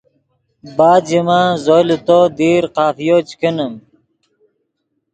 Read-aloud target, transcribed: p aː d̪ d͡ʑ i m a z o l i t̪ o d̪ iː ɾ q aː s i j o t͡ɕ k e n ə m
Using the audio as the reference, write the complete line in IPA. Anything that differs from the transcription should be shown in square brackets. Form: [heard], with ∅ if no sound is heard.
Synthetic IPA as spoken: [b] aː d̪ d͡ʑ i m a z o l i t̪ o d̪ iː ɾ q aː [f] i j o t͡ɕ k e n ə m